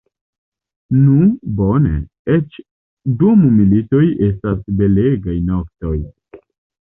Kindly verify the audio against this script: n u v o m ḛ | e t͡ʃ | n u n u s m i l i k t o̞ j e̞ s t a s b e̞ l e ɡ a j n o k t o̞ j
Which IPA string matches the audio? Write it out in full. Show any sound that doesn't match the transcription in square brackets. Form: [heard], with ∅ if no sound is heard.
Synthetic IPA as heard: n u [b] o [n] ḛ | e t͡ʃ | [d] u [m] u [∅] m i l i [∅] t o̞ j e̞ s t a s b e̞ l e ɡ a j n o k t o̞ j